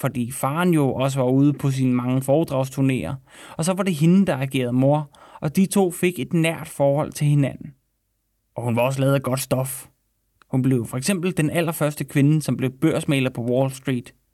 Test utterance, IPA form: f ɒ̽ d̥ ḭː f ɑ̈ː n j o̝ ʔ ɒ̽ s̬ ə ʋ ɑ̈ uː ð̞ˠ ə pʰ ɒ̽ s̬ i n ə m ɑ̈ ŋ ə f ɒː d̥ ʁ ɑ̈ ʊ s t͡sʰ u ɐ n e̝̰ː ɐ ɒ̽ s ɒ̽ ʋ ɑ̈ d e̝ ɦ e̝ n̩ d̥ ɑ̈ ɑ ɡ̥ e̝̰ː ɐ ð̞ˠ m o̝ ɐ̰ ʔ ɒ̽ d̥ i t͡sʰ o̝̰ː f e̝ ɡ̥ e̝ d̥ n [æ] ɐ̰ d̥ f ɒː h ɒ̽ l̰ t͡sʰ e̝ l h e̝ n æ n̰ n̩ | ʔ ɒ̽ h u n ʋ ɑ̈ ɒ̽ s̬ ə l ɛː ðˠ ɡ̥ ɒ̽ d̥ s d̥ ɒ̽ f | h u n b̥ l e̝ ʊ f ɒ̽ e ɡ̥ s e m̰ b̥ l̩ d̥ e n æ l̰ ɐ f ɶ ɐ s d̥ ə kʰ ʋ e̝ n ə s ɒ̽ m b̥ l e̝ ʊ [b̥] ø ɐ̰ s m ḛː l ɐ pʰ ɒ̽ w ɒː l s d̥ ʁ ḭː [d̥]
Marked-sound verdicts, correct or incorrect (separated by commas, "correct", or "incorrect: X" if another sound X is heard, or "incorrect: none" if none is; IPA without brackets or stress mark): correct, correct, correct